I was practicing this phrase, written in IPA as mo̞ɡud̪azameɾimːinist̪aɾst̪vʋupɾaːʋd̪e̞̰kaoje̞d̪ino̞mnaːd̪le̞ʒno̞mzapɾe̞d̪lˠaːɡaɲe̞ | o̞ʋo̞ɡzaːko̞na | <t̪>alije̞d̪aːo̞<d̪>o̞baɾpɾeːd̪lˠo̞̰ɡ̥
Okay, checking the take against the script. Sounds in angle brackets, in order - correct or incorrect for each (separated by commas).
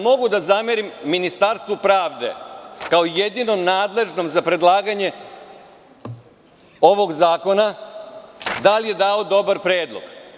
incorrect, correct